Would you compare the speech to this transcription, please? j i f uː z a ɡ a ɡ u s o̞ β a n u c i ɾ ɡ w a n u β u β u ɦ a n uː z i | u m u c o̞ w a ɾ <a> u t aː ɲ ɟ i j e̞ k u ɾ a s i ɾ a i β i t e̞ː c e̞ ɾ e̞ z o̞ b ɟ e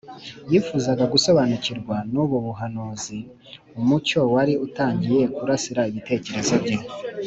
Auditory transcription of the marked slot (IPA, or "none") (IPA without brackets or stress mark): i